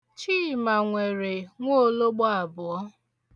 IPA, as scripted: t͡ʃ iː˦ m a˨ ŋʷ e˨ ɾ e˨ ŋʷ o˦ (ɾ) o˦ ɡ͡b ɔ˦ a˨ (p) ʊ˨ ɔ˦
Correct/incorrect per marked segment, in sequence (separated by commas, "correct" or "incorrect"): incorrect, incorrect